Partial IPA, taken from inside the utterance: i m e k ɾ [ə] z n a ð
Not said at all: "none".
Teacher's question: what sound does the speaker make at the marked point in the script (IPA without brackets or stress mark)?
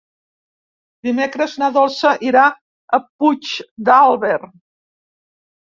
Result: ə